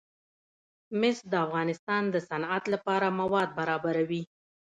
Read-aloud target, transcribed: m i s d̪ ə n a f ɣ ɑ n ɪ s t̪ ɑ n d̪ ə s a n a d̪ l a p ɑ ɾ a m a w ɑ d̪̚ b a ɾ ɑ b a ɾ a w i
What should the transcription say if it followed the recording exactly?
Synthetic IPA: m ɪ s d̪ ə a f ɣ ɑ n ɪ s t̪ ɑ n d̪ ə s a n a t̪ l a p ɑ ɾ a m a w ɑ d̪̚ b a ɾ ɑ b a ɾ a w i